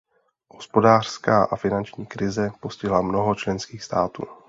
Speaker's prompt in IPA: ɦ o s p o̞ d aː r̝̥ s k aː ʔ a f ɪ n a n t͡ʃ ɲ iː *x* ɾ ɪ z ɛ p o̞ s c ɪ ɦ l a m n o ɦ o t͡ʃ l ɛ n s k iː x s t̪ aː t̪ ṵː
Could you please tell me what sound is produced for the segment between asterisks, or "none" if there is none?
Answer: k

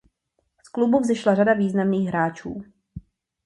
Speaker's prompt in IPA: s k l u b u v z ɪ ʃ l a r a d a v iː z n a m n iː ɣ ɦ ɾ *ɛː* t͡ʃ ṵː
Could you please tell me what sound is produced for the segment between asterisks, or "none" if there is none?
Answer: aː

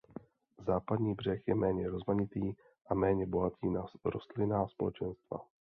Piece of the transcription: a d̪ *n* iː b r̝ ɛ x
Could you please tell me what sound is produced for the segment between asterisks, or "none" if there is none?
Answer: ɲ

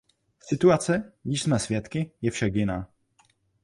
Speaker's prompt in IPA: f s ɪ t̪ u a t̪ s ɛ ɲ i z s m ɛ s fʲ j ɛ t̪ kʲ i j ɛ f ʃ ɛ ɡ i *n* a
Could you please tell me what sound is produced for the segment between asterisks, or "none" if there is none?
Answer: n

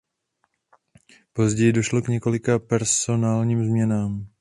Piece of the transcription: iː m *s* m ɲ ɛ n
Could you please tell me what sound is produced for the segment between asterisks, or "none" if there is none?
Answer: z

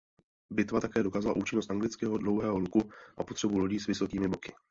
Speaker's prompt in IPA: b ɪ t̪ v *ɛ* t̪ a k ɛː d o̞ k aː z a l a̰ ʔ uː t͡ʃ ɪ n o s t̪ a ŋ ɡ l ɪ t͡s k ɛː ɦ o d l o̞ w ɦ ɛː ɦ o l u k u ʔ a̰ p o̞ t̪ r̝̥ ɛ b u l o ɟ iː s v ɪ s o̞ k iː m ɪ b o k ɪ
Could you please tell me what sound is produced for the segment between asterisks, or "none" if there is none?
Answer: a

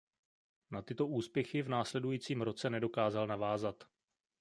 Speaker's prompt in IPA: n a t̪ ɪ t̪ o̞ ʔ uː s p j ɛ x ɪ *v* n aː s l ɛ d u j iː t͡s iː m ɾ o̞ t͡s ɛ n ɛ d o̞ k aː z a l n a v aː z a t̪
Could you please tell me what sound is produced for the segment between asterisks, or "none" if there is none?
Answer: v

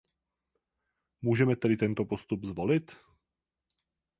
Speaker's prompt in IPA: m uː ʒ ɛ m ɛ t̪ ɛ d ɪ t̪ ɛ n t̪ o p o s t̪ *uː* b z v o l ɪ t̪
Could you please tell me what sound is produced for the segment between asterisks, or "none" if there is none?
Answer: u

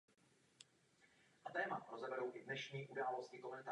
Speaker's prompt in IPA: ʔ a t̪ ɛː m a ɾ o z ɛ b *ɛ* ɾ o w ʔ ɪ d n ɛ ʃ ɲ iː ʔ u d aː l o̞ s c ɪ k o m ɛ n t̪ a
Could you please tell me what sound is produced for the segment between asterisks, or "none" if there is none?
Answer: ɛ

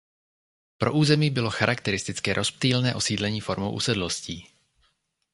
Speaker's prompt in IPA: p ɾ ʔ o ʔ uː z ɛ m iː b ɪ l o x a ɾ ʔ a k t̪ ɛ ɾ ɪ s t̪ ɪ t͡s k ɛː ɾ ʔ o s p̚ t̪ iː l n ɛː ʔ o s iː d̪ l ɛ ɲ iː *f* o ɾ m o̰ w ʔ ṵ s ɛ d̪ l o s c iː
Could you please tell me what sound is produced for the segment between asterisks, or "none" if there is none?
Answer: f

